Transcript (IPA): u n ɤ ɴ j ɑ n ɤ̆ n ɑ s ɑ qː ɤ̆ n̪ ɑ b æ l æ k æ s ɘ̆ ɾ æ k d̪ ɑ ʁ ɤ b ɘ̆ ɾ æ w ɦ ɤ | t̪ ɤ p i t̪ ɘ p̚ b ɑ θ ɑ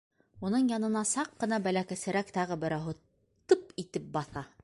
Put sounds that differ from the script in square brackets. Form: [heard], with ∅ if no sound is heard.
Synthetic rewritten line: u n ɤ ɴ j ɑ n ɤ̆ n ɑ s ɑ qː ɤ̆ n̪ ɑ b æ l æ k æ s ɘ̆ ɾ æ k [t̪] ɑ ʁ ɤ b ɘ̆ ɾ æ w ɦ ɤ | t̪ ɤ p i t̪ ɘ p̚ b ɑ θ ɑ